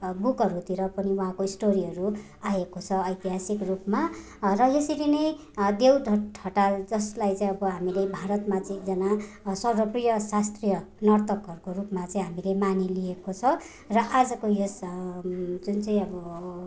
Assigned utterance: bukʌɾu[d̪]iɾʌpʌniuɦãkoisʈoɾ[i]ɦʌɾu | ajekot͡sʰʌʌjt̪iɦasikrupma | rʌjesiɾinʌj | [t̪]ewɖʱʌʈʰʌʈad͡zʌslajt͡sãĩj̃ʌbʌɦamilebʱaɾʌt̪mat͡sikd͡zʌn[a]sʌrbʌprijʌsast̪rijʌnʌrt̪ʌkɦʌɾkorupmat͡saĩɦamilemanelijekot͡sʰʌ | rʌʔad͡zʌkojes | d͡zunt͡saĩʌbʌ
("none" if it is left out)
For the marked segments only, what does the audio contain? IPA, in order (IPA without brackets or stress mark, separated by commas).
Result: t̪, i, d̪, a